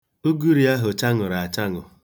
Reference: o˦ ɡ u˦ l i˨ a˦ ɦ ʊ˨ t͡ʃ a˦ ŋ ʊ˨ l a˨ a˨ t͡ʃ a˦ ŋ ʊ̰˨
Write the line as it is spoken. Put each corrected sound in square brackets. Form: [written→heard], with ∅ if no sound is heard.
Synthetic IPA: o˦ ɡ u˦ [l→ɾ] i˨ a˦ ɦ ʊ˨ t͡ʃ a˦ ŋ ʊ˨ [l→ɾ] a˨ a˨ t͡ʃ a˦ ŋ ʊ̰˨